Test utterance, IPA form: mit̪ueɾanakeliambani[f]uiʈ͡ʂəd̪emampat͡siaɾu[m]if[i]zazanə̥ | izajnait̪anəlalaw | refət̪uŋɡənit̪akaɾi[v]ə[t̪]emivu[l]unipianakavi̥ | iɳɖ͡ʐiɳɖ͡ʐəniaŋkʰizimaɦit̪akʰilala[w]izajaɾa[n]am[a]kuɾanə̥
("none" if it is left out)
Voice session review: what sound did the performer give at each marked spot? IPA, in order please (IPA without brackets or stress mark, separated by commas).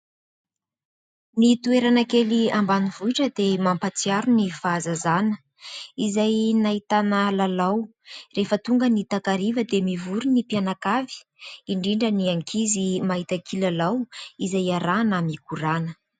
v, n, a, v, d̪, ɾ, w, n, i